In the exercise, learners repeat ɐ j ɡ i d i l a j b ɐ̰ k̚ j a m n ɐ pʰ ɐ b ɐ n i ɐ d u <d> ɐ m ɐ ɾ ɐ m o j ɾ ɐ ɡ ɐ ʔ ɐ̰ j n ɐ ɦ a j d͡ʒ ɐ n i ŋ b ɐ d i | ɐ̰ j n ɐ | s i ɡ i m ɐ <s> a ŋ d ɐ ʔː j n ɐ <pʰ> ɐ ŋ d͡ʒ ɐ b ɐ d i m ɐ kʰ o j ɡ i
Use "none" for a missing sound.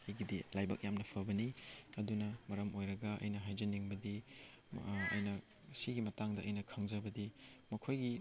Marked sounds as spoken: n, t, kʰ

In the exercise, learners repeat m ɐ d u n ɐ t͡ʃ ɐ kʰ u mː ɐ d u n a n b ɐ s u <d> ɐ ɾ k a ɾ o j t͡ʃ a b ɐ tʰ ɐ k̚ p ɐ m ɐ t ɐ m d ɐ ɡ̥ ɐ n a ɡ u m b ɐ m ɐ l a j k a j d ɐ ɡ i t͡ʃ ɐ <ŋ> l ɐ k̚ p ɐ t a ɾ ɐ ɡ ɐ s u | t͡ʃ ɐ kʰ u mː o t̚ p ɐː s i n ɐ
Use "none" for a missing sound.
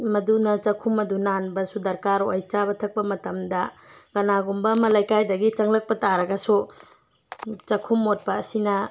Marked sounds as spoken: d, ŋ

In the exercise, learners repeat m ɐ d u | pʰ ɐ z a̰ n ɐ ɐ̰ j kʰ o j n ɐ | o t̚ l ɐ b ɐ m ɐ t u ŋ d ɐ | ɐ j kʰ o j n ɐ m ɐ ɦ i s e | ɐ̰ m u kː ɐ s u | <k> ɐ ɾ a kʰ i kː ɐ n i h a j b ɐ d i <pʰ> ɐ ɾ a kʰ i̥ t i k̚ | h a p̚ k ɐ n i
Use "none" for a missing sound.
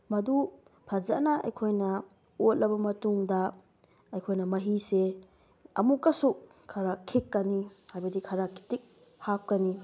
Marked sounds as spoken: kʰ, kʰ

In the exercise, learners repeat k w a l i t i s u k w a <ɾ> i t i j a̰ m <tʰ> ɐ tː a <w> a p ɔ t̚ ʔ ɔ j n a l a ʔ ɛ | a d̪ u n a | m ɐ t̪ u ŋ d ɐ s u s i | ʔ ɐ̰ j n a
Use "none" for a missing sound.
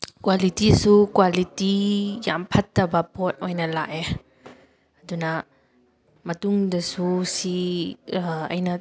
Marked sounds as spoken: l, pʰ, b

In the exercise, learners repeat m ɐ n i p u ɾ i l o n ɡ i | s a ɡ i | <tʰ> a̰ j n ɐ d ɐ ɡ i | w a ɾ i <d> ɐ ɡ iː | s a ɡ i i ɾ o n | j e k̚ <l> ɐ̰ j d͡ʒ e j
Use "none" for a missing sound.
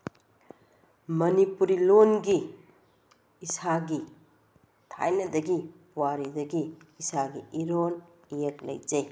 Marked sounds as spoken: tʰ, d, l

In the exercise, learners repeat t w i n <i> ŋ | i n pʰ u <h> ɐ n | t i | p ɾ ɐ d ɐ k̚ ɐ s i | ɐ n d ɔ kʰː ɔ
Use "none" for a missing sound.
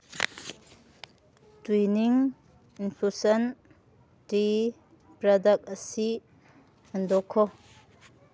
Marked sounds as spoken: i, s

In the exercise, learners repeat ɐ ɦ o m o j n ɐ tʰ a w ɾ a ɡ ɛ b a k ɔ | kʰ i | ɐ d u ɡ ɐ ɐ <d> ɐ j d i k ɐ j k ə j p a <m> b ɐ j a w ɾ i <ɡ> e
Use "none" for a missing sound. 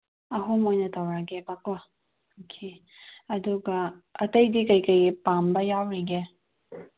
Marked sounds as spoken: t, m, ɡ

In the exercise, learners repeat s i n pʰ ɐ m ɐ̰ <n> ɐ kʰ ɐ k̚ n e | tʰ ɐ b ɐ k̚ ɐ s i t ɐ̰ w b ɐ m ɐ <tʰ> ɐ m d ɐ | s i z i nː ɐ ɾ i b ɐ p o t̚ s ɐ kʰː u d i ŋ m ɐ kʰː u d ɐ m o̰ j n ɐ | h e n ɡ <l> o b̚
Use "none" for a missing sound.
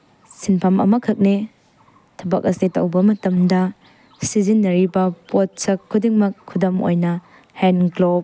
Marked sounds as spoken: m, t, l

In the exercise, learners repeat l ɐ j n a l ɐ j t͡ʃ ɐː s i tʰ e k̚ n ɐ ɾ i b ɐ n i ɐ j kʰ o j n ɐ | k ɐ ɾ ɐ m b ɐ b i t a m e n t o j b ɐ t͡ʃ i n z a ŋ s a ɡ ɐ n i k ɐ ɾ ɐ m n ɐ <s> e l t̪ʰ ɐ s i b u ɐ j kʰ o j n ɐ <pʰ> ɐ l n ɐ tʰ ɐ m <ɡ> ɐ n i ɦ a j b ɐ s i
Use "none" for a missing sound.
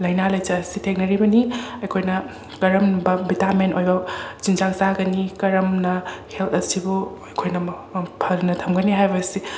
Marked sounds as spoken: h, pʰ, ɡ

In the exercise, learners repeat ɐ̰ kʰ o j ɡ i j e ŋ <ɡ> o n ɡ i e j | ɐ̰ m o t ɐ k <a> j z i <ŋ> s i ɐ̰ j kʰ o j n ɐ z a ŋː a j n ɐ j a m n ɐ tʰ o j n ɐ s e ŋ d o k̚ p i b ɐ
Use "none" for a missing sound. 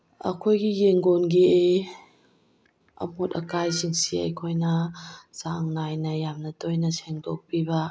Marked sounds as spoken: ɡ, a, ŋ

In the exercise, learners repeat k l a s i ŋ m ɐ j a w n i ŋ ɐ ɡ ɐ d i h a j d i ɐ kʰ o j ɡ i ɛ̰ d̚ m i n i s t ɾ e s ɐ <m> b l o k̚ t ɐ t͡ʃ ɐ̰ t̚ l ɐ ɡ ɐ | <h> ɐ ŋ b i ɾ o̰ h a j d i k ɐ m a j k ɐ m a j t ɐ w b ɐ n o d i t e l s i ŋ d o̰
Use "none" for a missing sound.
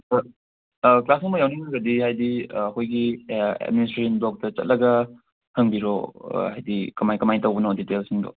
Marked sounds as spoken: n, h

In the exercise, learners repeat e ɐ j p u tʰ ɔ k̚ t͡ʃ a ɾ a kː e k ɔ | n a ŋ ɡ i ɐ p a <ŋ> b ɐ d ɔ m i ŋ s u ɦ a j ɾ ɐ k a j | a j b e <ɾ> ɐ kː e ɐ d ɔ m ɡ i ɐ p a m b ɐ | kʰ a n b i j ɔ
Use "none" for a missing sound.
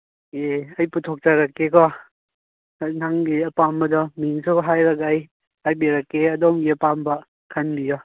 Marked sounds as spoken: m, ɾ

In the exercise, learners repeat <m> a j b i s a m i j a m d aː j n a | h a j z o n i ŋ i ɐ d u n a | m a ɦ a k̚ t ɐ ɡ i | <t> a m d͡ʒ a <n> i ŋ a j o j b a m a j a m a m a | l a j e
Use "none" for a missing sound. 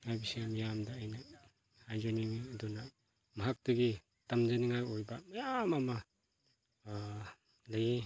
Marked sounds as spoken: ŋ, t, n

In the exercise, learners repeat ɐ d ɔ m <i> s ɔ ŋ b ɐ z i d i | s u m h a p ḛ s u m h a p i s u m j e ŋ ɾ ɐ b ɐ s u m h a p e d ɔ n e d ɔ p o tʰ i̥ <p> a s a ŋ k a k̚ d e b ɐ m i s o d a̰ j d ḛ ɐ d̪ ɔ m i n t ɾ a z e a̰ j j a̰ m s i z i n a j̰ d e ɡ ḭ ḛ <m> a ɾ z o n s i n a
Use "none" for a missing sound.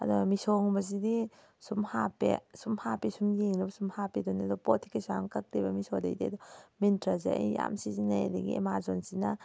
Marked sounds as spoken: i, k, m

